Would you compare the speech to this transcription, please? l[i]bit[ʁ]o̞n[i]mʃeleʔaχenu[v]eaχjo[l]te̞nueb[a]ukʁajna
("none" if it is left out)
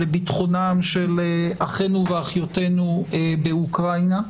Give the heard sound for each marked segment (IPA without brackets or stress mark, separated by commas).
e, χ, a, v, none, e